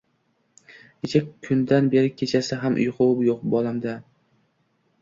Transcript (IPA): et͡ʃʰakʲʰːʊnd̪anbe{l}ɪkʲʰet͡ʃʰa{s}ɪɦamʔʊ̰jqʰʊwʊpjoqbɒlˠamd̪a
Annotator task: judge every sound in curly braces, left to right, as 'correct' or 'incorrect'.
incorrect: ɾ, correct

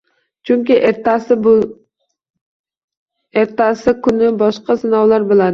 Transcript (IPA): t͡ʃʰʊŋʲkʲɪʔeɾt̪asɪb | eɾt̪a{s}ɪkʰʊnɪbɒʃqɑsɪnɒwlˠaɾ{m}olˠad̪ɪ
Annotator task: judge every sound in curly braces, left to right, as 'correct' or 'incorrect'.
correct, incorrect: b

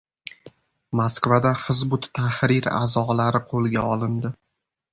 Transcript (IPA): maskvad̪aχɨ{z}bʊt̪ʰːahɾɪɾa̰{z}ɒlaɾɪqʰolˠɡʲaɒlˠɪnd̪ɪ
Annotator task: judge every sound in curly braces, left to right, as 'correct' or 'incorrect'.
correct, correct

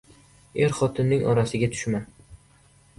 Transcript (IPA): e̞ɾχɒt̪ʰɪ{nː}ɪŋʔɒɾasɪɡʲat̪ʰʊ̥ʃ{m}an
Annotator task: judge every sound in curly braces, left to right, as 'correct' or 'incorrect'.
correct, correct

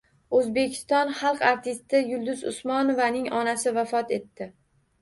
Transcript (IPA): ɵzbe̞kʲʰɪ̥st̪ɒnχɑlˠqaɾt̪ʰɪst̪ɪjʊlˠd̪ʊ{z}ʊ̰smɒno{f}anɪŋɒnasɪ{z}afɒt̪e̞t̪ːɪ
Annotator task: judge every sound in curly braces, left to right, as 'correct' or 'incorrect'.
correct, incorrect: v, incorrect: v

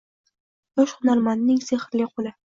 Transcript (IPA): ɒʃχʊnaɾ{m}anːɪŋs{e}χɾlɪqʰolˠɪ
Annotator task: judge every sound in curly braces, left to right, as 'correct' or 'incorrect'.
correct, correct

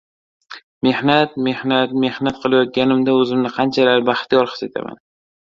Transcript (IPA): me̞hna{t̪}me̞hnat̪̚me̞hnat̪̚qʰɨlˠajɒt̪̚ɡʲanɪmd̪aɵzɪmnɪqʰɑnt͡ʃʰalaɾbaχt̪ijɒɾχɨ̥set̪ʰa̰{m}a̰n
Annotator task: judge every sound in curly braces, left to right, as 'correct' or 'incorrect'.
correct, correct

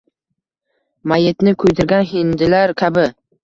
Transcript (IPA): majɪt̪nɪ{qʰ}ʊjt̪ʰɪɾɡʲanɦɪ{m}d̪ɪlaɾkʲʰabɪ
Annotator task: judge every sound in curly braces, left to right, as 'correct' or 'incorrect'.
incorrect: kʰ, incorrect: n

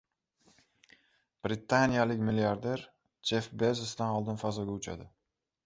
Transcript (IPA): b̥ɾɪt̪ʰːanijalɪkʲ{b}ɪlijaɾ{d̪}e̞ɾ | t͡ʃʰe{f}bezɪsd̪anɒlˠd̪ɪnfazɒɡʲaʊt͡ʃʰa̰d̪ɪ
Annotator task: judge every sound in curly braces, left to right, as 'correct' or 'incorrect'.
incorrect: m, correct, correct

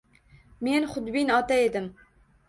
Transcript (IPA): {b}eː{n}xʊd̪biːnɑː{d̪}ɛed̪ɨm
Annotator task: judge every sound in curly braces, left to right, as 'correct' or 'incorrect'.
incorrect: m, correct, incorrect: t̪

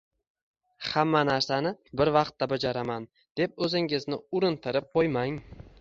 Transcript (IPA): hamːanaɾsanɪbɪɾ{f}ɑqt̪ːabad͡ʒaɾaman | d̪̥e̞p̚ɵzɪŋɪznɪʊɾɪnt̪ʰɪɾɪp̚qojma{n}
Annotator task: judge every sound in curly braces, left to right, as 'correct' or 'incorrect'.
incorrect: v, incorrect: ŋ

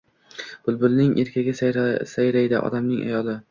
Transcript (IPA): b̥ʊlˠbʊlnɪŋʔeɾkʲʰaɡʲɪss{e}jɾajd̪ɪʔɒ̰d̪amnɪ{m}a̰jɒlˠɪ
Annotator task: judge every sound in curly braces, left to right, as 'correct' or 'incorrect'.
incorrect: a, incorrect: ŋ

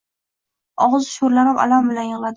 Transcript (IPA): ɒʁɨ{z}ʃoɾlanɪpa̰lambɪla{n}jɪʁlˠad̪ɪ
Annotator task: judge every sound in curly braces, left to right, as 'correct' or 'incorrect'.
correct, correct

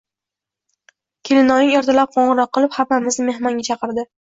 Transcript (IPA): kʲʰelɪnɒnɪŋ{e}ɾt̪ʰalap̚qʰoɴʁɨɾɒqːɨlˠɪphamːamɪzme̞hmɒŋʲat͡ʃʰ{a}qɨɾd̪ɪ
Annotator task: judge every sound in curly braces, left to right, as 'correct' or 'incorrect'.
correct, incorrect: ɑ

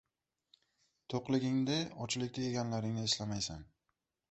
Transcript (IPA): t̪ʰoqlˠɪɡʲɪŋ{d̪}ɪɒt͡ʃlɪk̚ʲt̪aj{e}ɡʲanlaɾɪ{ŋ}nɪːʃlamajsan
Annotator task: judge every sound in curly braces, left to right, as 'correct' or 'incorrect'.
correct, correct, correct

